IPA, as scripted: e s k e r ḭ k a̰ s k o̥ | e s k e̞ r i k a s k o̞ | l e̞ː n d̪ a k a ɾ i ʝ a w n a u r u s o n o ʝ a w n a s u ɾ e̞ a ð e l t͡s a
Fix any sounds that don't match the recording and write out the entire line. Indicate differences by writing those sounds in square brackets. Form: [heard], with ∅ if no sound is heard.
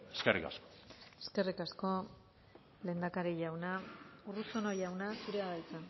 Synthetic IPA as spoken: e s k e r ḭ k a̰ s k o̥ | e s k e̞ r i k a s k o̞ | l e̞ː n d̪ a k a ɾ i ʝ a w n a u r u s o n o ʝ a w n a s u ɾ e̞ a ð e l t͡s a